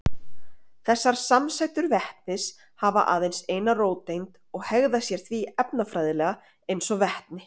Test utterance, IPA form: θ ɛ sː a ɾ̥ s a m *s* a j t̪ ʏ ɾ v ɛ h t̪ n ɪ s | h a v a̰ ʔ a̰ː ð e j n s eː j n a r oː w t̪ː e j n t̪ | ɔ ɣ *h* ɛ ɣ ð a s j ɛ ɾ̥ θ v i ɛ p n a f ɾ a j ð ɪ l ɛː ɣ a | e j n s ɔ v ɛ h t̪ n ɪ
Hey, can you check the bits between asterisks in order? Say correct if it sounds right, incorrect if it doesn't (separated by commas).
correct, correct